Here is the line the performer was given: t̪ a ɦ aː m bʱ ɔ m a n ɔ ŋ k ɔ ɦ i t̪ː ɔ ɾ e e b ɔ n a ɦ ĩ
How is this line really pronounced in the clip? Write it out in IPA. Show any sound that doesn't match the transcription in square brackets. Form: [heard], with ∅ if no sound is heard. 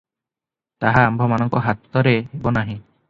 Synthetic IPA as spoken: t̪ a ɦ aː m bʱ ɔ m a n ɔ ŋ k ɔ ɦ [a] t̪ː ɔ ɾ e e b ɔ n a ɦ ĩ